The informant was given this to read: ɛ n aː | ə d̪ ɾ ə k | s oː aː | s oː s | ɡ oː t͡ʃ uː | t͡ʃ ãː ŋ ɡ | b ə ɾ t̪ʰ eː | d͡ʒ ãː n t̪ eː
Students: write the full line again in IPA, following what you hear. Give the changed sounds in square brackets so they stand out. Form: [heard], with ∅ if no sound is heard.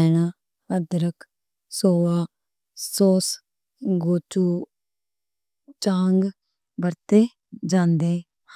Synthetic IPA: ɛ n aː | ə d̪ ɾ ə k | s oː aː | s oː s | ɡ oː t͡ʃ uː | t͡ʃ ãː ŋ ɡ | b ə ɾ [t̪] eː | d͡ʒ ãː n [d̪] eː